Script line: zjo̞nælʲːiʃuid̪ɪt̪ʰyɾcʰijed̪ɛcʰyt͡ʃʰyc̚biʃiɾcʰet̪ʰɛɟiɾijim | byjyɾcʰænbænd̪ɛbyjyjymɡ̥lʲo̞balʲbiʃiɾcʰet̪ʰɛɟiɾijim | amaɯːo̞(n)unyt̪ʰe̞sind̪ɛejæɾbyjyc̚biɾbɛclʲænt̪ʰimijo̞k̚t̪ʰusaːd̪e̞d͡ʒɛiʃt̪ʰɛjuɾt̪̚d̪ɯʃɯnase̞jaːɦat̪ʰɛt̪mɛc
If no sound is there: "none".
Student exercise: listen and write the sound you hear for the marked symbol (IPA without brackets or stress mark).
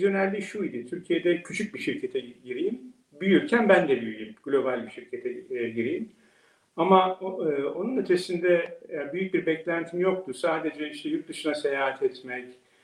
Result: n